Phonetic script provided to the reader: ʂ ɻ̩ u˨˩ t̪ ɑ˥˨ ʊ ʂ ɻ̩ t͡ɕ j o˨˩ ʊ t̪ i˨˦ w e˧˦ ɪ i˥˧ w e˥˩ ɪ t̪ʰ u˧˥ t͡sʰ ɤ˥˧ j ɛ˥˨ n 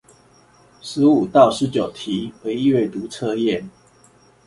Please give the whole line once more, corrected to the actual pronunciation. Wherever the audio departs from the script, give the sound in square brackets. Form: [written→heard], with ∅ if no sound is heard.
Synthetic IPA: ʂ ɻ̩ u˨˩ t̪ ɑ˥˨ ʊ ʂ ɻ̩ t͡ɕ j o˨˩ ʊ [t̪→t̪ʰ] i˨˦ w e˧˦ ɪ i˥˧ w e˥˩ ɪ [t̪ʰ→t̪] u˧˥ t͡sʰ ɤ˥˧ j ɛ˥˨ n

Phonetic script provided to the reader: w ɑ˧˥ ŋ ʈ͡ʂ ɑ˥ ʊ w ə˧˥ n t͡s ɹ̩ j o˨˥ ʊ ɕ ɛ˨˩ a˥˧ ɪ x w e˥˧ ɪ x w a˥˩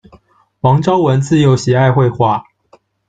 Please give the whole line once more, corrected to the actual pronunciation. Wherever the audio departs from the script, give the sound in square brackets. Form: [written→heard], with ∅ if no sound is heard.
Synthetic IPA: w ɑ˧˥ ŋ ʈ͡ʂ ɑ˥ ʊ w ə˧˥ n t͡s ɹ̩ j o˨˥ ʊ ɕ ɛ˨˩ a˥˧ ɪ x w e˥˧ ɪ x w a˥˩

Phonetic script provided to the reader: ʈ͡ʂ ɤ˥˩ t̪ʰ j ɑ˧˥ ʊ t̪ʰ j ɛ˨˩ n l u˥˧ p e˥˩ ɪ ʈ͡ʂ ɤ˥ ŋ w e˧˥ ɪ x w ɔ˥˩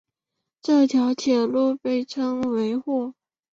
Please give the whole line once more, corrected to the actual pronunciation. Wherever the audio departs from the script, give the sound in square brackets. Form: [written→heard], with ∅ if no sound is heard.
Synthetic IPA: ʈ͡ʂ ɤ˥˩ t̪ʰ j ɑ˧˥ ʊ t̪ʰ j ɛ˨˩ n l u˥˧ p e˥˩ ɪ [ʈ͡ʂ→ʈ͡ʂʰ] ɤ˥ ŋ w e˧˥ ɪ x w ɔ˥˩

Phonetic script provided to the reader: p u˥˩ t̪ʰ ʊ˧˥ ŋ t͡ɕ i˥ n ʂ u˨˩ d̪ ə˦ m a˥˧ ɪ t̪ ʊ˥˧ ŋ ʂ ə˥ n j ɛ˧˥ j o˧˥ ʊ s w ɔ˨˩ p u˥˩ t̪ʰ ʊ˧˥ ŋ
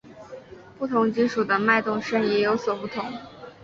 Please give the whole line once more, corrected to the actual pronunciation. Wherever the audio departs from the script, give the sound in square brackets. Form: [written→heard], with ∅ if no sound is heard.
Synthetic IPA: p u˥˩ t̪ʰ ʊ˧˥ ŋ t͡ɕ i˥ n ʂ u˨˩ d̪ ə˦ m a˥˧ ɪ t̪ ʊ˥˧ ŋ ʂ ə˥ n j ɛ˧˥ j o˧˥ ʊ s w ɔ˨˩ p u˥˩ t̪ʰ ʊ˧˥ ŋ

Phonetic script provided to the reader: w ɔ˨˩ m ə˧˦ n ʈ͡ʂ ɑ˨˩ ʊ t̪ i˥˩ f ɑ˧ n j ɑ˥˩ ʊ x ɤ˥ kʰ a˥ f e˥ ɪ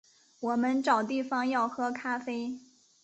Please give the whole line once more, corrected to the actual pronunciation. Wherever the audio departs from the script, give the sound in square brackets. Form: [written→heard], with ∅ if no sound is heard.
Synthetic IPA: w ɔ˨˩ m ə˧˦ n ʈ͡ʂ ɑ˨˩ ʊ t̪ i˥˩ f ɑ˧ [n→ŋ] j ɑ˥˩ ʊ x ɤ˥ kʰ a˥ f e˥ ɪ

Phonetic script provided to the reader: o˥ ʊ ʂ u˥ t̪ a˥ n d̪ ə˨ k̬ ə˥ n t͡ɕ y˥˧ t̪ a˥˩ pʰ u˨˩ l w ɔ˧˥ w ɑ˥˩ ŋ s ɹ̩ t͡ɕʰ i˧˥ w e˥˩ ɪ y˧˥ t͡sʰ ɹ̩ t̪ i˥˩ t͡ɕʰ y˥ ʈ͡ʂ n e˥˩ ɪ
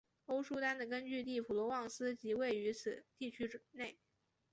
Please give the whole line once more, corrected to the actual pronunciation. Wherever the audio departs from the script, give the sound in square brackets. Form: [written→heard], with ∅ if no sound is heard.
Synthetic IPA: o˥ ʊ ʂ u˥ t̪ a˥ n d̪ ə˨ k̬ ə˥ n t͡ɕ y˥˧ t̪ [a˥˩→i˥˩] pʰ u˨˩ l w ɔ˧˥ w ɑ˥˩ ŋ s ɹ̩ [t͡ɕʰ→t͡ɕ] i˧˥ w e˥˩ ɪ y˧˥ t͡sʰ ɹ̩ t̪ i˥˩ t͡ɕʰ y˥ ʈ͡ʂ n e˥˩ ɪ

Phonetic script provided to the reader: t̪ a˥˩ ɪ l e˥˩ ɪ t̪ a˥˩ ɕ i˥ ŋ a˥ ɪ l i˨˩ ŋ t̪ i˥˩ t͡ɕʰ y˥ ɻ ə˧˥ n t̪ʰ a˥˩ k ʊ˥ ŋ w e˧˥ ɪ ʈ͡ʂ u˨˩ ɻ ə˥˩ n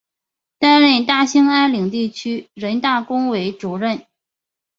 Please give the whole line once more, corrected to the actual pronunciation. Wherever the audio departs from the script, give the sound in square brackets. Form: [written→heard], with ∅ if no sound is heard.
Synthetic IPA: t̪ [a˥˩→a˥] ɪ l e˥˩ ɪ t̪ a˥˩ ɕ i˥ ŋ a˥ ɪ l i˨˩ ŋ t̪ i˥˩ t͡ɕʰ y˥ ɻ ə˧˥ n [t̪ʰ→t̪] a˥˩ k ʊ˥ ŋ w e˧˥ ɪ ʈ͡ʂ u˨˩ ɻ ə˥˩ n

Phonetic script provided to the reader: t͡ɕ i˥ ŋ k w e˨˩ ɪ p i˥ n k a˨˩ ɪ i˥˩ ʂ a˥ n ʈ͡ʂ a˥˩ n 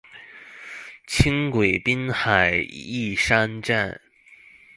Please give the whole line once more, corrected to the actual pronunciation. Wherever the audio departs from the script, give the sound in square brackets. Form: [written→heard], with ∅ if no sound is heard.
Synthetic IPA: [t͡ɕ→t͡ɕʰ] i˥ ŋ k w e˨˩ ɪ p i˥ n [k→x] a˨˩ ɪ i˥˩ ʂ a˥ n ʈ͡ʂ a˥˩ n

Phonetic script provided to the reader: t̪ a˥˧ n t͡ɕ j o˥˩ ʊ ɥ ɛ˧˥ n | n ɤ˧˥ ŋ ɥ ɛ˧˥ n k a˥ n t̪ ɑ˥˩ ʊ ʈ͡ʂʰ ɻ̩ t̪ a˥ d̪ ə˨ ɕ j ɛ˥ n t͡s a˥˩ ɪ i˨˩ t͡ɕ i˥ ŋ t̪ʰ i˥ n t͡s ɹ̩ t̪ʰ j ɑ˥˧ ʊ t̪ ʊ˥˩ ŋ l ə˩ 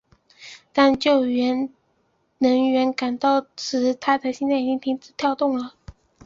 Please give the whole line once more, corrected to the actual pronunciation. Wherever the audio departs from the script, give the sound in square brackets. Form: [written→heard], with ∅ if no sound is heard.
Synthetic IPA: t̪ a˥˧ n t͡ɕ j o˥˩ ʊ ɥ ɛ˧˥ n | n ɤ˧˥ ŋ ɥ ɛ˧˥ n k [a˥→a˨˩] n t̪ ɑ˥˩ ʊ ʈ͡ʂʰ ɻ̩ [t̪→t̪ʰ] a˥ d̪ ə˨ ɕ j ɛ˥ n t͡s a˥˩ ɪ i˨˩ t͡ɕ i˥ ŋ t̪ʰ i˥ [n→ŋ] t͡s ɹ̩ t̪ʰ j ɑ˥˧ ʊ t̪ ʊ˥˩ ŋ l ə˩

